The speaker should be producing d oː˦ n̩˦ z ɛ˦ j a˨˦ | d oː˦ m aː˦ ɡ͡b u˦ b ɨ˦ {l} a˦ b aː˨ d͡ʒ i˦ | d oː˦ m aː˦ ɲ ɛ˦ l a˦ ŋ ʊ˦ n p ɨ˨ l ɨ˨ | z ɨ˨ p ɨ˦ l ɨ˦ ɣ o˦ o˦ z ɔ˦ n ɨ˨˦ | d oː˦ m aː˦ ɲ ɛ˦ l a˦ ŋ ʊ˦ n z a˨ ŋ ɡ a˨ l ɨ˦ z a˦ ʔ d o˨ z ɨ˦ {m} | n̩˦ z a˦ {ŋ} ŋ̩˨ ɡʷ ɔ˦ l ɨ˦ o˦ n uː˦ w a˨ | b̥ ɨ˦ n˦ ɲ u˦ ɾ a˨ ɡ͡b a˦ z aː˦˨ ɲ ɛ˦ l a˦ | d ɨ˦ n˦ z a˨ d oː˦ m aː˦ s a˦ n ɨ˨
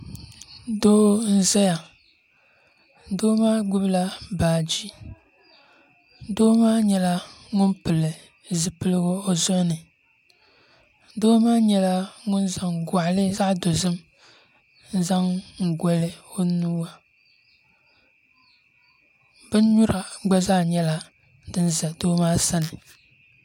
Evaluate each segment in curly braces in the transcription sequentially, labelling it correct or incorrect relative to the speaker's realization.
correct, correct, correct

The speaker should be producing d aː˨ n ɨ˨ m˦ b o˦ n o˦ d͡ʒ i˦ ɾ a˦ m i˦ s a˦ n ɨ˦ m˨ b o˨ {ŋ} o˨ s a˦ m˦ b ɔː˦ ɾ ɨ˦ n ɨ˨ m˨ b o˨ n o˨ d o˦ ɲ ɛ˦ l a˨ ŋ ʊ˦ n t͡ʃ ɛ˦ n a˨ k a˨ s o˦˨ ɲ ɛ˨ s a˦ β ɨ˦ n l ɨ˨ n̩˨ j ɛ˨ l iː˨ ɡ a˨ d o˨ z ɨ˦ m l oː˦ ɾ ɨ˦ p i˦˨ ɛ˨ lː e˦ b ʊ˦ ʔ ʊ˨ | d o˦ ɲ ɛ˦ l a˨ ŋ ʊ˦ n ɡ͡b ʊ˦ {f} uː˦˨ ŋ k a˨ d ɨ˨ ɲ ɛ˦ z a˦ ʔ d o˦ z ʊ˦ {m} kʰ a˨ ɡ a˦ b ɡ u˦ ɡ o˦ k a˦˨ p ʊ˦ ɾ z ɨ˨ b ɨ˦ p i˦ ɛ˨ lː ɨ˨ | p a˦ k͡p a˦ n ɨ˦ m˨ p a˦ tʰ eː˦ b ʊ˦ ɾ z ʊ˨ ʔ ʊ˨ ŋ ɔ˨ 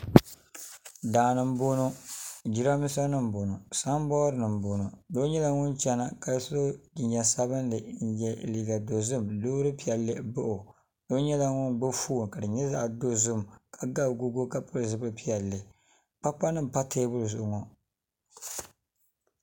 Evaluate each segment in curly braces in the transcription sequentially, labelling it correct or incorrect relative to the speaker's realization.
incorrect: n, correct, correct

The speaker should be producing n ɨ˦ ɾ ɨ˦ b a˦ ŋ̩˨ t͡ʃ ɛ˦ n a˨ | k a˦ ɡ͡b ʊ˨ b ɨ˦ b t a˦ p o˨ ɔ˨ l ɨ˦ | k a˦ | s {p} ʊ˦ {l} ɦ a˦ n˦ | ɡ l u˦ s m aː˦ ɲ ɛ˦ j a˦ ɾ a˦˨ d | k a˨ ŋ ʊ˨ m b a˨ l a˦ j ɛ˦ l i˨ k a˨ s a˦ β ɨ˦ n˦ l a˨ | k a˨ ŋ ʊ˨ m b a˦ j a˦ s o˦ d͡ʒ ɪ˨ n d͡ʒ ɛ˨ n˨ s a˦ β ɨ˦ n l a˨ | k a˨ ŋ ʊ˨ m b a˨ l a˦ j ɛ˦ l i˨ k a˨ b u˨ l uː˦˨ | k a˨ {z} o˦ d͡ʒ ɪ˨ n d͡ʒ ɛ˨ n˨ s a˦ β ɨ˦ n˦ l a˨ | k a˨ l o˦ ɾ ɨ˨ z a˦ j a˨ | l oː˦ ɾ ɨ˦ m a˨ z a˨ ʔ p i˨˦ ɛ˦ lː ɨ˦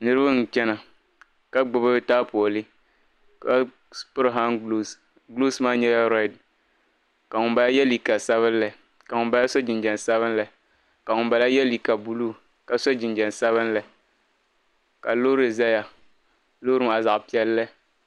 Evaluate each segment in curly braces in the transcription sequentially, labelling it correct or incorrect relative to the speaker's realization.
correct, incorrect: ɾ, incorrect: s

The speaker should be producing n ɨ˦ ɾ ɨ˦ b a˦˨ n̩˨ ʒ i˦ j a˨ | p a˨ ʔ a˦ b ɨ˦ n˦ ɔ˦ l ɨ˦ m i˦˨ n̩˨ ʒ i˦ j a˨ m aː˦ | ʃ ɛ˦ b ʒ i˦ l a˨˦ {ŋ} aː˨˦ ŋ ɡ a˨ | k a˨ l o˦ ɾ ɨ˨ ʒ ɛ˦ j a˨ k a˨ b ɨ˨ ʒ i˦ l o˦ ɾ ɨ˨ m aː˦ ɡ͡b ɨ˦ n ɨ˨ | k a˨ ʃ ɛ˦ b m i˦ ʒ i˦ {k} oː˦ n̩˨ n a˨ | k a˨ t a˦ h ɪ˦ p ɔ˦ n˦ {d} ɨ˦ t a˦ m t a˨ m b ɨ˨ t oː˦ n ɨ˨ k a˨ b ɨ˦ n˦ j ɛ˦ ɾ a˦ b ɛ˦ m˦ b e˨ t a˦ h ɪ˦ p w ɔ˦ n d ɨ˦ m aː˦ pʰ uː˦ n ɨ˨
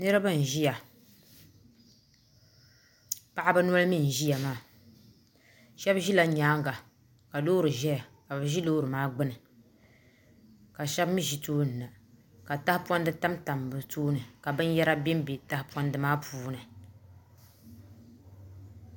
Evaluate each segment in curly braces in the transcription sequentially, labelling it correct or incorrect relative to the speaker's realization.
incorrect: ɲ, incorrect: t, correct

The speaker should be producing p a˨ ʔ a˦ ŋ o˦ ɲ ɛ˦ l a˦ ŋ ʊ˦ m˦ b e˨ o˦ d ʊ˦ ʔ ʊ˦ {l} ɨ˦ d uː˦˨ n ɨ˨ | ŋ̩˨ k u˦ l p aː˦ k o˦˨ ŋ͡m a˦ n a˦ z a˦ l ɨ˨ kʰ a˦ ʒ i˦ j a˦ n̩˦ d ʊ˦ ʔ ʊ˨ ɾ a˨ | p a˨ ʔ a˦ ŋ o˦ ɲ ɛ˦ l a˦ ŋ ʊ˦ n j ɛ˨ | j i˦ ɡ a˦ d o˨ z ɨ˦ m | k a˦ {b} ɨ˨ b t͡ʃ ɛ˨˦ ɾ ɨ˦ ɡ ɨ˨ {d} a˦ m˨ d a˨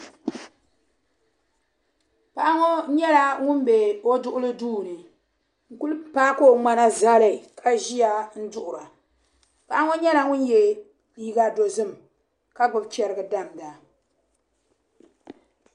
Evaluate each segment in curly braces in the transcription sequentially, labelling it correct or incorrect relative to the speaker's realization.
correct, incorrect: ɡ͡b, correct

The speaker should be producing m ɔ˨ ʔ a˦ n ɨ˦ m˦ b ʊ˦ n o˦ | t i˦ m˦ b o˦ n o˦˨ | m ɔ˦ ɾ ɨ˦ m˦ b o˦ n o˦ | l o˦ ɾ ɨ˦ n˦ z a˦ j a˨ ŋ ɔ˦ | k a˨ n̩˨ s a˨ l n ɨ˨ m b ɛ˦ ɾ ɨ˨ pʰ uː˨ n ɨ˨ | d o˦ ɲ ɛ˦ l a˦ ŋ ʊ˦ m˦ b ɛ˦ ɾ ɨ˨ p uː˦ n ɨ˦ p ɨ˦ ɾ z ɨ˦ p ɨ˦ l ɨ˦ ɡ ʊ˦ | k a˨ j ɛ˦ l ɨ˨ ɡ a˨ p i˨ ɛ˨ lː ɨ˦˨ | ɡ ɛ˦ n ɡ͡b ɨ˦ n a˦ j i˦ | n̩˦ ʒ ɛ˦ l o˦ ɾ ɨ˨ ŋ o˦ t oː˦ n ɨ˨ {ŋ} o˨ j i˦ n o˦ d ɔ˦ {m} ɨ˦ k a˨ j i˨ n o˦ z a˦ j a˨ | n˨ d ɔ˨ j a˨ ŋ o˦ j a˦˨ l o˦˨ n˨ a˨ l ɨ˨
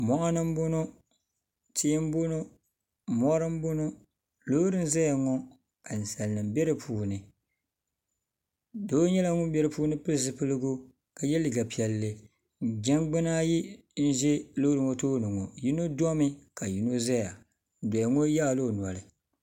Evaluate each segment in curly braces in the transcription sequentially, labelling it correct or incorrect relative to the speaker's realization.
correct, correct

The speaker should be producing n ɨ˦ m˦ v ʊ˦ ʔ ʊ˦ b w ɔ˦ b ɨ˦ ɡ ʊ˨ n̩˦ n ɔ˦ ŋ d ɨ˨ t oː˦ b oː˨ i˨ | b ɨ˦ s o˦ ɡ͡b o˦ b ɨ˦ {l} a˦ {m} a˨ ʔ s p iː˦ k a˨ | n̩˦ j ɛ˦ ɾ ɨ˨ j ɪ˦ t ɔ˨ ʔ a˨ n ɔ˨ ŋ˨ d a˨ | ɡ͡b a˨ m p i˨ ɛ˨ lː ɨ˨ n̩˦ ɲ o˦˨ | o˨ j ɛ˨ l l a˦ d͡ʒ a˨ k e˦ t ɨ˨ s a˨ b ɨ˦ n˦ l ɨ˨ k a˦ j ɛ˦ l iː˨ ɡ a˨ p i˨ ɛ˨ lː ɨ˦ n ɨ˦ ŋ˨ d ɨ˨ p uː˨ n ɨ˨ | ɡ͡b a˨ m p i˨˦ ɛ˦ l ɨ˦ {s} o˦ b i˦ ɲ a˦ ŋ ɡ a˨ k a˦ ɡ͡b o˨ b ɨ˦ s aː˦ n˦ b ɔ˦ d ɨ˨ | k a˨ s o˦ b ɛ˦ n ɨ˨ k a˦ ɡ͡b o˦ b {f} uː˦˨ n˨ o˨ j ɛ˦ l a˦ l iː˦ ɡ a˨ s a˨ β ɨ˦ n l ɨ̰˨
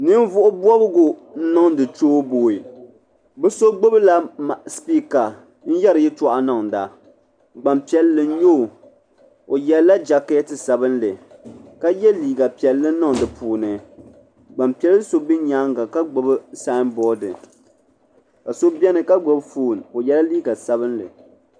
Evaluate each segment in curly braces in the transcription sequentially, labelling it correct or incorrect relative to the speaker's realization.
correct, correct, correct, correct

